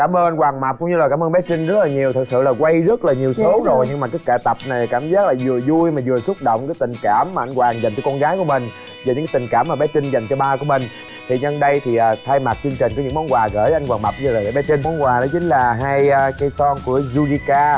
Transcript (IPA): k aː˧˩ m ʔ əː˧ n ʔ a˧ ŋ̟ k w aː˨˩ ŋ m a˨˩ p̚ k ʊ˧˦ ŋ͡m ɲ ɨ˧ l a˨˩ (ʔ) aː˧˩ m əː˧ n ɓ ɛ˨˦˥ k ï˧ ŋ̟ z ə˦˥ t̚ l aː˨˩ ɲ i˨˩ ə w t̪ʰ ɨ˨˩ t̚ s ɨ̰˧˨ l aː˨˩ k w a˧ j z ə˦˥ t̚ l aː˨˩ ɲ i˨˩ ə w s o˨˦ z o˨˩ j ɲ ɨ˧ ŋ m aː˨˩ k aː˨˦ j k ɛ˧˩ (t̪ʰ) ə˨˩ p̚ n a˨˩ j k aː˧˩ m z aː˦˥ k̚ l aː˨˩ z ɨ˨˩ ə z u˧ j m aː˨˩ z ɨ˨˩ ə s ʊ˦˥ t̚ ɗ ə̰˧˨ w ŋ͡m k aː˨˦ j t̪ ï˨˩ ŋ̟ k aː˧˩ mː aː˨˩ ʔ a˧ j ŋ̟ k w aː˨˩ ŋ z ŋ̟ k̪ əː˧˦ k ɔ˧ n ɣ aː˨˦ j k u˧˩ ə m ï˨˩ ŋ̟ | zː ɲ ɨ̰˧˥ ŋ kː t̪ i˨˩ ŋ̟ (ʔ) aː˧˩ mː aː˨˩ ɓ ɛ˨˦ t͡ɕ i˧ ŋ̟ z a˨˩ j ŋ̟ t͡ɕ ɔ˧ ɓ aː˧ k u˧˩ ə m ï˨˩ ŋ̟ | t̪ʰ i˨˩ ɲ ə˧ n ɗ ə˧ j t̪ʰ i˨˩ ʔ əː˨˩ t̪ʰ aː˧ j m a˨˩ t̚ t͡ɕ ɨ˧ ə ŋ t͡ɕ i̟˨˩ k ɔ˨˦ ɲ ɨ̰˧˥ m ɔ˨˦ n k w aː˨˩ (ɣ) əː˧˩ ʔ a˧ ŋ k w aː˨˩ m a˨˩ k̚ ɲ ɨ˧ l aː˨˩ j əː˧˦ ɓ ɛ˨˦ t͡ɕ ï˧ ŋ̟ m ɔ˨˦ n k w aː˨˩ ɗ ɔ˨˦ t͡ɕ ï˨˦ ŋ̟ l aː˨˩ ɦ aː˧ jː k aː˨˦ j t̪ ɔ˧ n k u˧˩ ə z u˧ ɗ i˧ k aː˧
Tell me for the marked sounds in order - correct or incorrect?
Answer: incorrect, incorrect, incorrect, correct

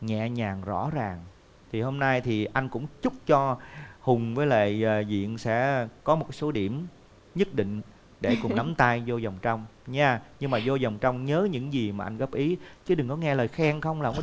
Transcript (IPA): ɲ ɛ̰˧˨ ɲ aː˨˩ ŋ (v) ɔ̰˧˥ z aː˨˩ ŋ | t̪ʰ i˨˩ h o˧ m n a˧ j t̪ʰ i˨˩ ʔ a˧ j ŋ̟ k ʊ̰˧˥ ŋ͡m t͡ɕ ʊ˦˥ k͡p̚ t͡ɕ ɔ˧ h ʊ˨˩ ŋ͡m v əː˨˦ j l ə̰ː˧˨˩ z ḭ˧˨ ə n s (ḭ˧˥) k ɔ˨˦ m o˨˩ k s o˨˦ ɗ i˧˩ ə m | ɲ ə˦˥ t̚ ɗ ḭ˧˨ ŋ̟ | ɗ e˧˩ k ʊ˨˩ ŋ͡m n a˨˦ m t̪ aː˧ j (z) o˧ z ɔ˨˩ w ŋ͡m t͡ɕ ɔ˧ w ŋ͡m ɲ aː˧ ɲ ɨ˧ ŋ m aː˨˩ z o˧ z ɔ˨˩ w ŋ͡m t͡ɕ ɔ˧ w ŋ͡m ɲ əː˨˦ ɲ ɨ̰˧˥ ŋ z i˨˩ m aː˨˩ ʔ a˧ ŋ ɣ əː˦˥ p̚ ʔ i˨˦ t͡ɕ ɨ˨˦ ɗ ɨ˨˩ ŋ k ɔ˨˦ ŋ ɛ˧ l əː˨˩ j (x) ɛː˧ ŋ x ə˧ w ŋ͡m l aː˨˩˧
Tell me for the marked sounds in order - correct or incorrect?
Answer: incorrect, incorrect, correct, correct

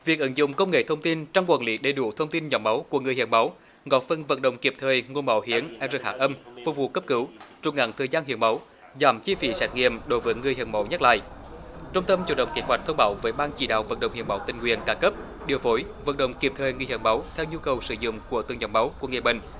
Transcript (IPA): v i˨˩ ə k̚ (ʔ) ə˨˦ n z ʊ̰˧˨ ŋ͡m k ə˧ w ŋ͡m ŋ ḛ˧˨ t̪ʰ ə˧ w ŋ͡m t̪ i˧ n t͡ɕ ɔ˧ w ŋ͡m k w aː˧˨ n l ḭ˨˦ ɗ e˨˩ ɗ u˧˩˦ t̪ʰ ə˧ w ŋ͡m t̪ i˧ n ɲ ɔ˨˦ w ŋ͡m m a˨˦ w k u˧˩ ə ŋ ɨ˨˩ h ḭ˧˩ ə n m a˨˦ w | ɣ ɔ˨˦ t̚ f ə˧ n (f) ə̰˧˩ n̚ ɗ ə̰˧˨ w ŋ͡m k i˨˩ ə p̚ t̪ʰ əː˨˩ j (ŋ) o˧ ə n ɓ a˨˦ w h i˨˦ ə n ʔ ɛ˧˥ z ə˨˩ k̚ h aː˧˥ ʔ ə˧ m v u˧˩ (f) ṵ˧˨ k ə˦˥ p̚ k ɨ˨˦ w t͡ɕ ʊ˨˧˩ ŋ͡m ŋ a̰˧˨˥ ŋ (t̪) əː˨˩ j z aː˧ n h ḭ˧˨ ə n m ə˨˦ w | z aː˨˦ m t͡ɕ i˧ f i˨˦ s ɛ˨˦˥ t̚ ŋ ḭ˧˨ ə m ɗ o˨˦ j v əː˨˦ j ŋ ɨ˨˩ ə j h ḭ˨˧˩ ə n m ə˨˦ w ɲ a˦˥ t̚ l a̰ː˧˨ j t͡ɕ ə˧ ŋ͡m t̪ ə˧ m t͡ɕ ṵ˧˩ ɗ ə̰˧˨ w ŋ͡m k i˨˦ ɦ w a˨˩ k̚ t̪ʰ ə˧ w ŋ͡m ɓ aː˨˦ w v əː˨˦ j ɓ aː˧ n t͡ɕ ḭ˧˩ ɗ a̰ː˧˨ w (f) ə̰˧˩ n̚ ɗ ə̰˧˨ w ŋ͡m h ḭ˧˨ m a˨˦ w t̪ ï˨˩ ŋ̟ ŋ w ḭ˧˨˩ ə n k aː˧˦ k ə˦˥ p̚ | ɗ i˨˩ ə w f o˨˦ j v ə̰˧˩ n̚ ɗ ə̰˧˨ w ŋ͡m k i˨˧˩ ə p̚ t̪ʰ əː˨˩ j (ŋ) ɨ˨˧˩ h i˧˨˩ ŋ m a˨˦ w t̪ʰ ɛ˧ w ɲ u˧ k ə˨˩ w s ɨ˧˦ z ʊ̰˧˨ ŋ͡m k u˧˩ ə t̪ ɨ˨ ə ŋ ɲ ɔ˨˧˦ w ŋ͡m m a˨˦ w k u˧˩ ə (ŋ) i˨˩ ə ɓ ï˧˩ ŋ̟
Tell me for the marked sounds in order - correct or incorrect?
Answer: correct, incorrect, correct, incorrect, incorrect, incorrect, correct, correct

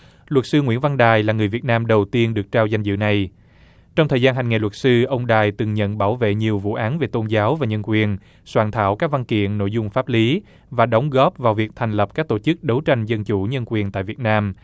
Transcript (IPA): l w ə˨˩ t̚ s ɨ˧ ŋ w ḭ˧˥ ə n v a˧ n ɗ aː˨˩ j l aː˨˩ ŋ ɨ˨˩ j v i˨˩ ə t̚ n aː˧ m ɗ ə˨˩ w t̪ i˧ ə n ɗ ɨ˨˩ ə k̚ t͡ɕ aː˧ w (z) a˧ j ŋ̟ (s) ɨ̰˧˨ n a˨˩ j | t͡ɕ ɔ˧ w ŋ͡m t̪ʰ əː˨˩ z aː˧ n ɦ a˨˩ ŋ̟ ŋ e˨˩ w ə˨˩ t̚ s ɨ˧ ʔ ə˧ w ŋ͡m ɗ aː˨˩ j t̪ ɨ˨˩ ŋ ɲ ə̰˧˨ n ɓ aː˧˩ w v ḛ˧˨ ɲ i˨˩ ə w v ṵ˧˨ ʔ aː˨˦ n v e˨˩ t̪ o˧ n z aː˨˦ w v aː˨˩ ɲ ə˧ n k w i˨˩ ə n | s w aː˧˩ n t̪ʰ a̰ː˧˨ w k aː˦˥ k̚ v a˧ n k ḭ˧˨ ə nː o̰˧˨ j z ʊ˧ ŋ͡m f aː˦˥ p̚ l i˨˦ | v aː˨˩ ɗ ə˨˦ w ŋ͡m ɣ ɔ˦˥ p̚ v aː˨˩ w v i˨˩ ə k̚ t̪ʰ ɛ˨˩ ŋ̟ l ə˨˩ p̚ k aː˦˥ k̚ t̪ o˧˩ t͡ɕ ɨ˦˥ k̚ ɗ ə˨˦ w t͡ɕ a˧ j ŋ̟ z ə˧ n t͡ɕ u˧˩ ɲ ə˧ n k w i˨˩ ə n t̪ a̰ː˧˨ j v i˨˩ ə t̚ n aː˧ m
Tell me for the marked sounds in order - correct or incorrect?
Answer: correct, incorrect

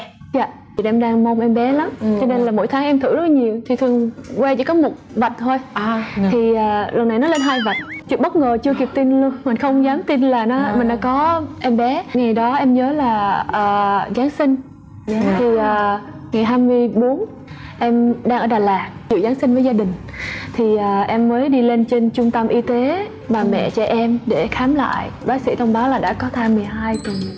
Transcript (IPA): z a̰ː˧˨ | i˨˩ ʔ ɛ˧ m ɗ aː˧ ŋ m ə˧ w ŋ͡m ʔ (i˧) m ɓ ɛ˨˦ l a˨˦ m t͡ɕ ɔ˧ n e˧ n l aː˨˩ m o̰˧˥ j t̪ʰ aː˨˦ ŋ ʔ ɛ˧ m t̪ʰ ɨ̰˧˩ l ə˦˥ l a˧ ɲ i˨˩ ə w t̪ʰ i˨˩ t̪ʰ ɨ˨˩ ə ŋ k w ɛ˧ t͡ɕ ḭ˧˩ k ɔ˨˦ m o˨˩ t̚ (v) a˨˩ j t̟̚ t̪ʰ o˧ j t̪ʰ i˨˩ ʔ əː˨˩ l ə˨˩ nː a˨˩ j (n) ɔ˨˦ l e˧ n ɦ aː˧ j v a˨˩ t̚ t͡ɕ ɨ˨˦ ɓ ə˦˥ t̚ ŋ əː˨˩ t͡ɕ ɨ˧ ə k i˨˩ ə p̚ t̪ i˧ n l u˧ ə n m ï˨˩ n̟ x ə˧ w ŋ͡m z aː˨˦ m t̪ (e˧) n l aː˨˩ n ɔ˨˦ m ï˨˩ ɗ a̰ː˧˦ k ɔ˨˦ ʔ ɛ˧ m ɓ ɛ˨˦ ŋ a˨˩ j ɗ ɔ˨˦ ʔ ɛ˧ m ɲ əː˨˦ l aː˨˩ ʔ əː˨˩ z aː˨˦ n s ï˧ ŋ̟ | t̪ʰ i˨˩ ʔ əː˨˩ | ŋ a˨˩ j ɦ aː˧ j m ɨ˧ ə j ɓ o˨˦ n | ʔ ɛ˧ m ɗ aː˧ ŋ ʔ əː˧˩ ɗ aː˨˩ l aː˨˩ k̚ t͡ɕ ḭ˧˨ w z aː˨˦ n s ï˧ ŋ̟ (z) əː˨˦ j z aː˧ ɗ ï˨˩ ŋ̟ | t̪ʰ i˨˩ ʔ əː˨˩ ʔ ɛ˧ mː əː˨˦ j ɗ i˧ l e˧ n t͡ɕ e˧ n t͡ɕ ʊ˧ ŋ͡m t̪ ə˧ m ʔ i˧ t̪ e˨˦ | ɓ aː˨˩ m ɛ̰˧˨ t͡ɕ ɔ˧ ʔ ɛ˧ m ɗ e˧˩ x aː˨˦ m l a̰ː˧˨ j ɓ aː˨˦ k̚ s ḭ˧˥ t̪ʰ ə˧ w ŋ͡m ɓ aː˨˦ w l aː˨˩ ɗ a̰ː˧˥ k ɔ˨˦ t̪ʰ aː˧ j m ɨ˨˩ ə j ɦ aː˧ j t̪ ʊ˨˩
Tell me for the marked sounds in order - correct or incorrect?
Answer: incorrect, correct, correct, incorrect, incorrect

